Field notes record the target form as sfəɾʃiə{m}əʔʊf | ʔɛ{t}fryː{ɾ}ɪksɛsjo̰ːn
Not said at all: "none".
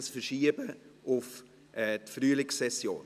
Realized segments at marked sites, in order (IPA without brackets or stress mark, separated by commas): b, t, l